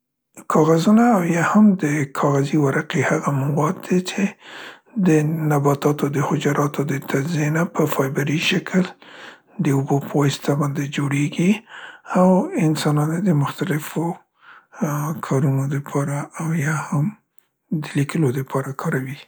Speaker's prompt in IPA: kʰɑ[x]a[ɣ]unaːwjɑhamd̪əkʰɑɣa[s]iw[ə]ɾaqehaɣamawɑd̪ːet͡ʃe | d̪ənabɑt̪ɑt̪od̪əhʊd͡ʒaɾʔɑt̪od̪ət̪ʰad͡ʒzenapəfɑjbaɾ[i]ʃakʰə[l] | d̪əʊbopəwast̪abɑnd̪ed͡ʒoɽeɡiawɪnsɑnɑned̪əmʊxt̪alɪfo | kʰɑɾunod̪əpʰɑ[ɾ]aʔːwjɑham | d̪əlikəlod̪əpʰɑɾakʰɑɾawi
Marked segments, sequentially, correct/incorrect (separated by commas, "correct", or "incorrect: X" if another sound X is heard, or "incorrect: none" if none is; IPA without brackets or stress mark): incorrect: ɣ, incorrect: z, incorrect: z, incorrect: a, correct, correct, correct